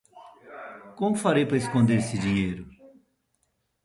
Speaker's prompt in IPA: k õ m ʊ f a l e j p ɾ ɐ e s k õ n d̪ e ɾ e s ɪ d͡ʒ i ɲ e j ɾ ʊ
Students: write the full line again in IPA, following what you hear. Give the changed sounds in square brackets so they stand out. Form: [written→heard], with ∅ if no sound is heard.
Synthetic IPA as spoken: k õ m ʊ f a [l→ɾ] e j p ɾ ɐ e s k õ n d̪ e ɾ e s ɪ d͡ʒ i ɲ e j ɾ ʊ